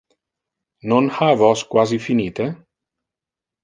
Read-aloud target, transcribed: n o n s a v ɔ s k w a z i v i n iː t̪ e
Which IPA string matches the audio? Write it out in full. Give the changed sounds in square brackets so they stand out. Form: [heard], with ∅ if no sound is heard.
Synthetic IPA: n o n [h] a v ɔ s k w a z i [f] i n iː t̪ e